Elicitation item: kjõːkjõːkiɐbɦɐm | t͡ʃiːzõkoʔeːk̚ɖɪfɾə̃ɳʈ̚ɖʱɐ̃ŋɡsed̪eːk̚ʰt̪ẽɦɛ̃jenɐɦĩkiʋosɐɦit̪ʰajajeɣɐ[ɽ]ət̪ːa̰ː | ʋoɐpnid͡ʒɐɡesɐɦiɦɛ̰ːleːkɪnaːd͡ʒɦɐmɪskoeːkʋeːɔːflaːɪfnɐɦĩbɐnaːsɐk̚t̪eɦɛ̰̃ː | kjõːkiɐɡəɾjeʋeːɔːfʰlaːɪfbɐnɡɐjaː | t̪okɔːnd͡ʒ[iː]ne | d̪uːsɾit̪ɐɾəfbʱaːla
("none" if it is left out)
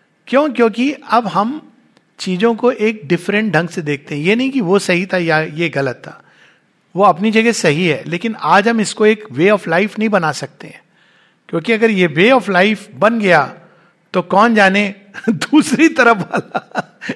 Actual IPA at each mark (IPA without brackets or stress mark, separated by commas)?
l, aː